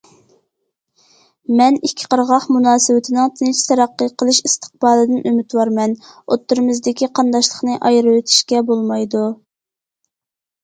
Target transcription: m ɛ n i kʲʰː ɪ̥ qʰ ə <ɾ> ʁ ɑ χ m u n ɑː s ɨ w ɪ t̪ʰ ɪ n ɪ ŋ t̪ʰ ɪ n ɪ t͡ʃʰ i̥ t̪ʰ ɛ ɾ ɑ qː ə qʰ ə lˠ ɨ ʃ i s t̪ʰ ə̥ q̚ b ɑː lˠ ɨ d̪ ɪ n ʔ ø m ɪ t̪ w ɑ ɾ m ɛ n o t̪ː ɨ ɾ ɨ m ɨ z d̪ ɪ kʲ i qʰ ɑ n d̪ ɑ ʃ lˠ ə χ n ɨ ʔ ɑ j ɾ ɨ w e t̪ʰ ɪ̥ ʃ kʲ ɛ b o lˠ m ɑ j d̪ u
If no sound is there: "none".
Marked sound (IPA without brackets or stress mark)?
ɾ